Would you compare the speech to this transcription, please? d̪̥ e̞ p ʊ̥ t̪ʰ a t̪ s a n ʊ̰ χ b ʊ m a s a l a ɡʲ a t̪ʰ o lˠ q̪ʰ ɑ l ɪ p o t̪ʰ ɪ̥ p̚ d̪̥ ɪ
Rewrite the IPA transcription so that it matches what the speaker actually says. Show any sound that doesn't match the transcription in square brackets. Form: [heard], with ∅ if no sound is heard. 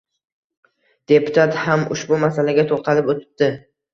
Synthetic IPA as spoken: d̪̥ e̞ p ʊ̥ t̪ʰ a t̪ [h] a [m] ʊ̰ [ʃ] b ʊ m a s a l a ɡʲ a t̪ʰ o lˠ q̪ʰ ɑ l ɪ p o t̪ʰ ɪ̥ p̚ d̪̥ ɪ